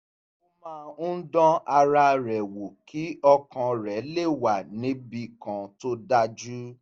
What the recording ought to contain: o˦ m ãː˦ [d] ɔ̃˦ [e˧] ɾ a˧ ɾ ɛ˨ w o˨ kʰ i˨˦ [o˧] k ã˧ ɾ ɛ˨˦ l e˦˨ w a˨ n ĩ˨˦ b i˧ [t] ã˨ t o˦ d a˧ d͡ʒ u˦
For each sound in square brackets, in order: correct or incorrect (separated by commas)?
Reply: correct, incorrect, incorrect, incorrect